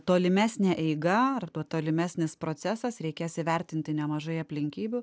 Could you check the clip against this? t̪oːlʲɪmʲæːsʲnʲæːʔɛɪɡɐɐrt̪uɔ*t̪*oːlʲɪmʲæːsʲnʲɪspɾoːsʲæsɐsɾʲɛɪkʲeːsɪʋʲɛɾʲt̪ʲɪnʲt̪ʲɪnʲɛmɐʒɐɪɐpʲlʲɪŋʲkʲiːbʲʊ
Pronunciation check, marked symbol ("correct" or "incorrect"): correct